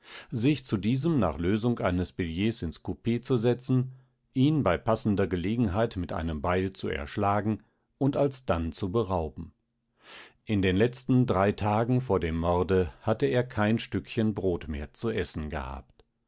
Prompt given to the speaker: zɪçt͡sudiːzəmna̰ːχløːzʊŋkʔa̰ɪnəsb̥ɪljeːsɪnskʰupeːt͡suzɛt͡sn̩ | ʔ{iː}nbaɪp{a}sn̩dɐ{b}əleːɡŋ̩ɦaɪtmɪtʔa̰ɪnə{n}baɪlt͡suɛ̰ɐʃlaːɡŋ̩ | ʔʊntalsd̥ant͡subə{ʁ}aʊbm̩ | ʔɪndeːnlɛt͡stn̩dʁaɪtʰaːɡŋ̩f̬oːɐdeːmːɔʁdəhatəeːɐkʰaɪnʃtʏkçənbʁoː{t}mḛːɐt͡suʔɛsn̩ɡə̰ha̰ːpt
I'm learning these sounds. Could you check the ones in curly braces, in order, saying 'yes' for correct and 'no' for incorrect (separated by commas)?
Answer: yes, yes, no, no, yes, yes